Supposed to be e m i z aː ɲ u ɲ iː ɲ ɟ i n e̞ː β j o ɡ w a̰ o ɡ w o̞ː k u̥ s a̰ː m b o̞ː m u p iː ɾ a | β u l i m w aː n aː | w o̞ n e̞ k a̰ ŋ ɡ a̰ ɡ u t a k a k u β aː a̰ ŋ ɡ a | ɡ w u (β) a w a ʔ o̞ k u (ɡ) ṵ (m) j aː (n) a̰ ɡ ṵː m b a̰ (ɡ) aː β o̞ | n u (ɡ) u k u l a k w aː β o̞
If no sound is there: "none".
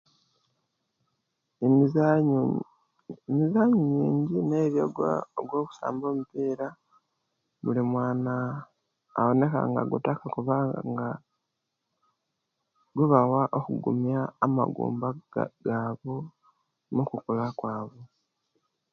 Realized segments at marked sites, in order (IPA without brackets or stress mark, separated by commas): β, ɡ, m, m, ɡ, k